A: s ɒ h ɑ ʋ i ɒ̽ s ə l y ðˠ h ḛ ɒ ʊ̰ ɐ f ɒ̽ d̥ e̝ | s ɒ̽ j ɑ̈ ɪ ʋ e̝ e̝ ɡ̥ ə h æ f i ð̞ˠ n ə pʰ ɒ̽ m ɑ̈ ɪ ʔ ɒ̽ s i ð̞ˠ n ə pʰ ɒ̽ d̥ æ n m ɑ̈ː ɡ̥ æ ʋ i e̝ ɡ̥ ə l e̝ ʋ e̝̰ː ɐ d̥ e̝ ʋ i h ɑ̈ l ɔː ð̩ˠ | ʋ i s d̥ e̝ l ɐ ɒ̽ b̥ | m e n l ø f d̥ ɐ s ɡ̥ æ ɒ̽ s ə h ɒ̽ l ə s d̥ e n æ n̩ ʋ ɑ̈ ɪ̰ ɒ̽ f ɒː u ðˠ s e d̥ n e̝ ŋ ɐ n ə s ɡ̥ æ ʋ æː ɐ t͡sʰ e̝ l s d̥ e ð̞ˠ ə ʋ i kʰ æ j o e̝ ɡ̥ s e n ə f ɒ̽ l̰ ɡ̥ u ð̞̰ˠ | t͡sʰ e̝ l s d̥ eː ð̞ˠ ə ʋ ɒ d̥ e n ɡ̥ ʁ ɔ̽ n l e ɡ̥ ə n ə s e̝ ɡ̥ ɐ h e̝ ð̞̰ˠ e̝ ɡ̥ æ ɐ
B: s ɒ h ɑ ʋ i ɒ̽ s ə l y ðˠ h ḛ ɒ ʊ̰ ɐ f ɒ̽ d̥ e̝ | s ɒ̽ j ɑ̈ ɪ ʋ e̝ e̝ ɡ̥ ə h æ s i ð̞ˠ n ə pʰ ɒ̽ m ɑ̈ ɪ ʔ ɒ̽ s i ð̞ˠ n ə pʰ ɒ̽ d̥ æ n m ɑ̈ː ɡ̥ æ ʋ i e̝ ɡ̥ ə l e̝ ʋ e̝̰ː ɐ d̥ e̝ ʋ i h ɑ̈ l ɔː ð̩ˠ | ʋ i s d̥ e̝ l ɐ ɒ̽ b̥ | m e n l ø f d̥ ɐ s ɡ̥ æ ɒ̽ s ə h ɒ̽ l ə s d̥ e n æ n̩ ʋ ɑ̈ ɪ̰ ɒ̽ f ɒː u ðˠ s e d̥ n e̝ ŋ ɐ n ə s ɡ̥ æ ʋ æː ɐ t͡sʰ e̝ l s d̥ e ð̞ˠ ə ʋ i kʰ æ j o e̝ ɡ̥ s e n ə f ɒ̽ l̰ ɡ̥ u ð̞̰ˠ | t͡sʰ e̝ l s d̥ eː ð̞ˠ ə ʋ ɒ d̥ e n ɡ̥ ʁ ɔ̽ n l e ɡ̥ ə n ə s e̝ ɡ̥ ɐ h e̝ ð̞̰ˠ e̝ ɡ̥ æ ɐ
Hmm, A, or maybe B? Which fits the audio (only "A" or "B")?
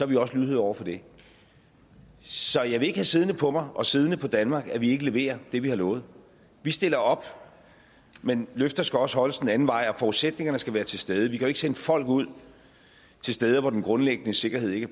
B